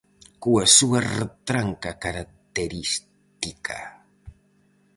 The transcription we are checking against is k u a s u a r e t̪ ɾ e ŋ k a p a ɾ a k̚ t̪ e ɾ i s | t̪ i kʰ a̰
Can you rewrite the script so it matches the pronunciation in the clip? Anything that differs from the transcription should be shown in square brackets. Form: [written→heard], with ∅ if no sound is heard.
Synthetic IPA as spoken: k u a s u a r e t̪ ɾ [e→a] ŋ k a [p→k] a ɾ a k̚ t̪ e ɾ i s | t̪ i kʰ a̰